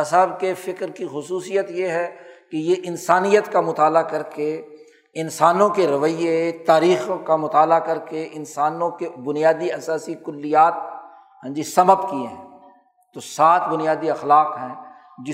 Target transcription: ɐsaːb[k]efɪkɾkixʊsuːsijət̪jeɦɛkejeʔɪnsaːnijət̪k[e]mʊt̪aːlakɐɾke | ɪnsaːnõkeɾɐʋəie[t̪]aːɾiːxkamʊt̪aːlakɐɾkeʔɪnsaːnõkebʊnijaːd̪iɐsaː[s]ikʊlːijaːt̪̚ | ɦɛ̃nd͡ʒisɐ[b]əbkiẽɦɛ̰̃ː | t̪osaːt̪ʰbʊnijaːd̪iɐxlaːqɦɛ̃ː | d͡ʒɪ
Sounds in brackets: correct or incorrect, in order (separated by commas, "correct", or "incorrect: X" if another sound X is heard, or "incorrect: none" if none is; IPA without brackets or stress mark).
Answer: correct, incorrect: a, correct, correct, incorrect: m